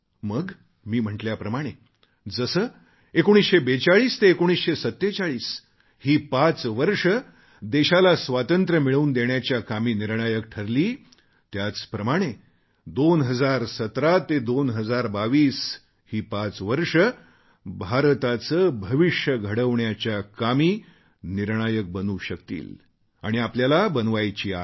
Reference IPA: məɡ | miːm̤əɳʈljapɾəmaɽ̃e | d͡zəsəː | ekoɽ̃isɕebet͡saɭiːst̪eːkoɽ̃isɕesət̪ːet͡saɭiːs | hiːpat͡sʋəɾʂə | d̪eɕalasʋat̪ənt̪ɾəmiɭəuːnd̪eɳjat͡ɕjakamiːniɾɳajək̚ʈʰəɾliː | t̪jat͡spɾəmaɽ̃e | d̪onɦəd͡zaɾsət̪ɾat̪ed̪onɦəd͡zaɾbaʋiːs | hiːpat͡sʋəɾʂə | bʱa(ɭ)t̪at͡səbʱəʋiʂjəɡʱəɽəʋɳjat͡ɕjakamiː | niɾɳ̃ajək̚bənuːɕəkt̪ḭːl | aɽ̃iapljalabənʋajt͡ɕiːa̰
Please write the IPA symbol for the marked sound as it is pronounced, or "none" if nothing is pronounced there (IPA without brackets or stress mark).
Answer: ɾ